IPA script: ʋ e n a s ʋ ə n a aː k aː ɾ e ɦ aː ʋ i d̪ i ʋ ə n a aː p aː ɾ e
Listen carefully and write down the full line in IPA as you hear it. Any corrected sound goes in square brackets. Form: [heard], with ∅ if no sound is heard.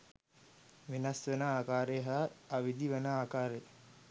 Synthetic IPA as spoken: ʋ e n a s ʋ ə n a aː k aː ɾ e ɦ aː ʋ i d̪ i ʋ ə n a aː [k] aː ɾ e

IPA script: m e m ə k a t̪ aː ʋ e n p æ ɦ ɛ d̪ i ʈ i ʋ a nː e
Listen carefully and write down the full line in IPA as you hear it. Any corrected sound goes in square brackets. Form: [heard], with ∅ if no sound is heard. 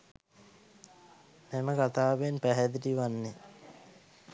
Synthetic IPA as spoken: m e m ə k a t̪ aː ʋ e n p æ ɦ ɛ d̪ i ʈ i ʋ a nː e

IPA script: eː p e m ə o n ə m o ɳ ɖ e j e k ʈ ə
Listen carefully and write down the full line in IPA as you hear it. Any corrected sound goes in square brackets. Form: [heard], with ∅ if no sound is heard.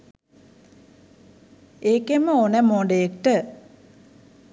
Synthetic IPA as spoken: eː [k] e m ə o n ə m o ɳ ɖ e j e k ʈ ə

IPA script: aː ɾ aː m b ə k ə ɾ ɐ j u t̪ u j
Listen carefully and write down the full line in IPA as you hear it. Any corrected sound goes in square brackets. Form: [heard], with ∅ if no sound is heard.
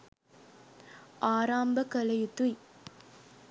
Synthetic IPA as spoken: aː ɾ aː m b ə k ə [l] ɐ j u t̪ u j

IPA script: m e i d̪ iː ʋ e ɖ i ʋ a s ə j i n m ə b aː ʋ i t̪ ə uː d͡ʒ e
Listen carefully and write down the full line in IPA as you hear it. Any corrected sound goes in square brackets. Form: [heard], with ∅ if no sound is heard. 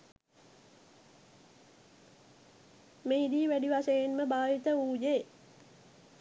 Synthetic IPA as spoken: m e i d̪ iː ʋ [æ] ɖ i ʋ a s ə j [e] n m ə b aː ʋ i t̪ ə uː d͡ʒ e

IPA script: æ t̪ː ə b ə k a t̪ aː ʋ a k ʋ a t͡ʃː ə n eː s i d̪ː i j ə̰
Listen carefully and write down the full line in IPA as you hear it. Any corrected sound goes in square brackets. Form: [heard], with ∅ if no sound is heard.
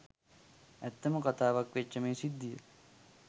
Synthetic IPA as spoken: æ t̪ː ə [m] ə k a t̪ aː ʋ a k ʋ [e] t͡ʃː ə [m] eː s i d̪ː i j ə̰

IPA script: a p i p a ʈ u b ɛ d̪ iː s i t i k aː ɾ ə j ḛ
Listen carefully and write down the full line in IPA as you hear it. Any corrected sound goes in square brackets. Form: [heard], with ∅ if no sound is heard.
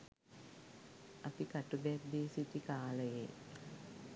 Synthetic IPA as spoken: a p i [k] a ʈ u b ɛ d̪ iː s i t i k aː [l] ə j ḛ

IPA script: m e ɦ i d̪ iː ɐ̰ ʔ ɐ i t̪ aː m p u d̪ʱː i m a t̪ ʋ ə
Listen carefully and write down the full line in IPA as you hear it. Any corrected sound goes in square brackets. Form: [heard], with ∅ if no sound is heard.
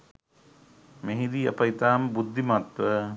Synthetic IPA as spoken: m e ɦ i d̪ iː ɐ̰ [p] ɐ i t̪ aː m [b] u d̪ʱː i m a t̪ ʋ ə

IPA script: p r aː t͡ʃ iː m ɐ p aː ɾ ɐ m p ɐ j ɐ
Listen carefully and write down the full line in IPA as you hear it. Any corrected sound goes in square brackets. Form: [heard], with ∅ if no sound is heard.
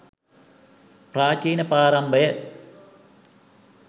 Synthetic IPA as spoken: p r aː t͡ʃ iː [n] ɐ p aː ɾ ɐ m [b] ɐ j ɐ

